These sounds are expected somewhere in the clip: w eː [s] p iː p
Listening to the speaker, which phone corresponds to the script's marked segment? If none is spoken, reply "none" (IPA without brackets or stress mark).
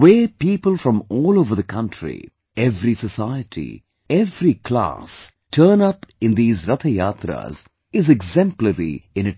none